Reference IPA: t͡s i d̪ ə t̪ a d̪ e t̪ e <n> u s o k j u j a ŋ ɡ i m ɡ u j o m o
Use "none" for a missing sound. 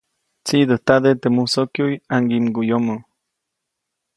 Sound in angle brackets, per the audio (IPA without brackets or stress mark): m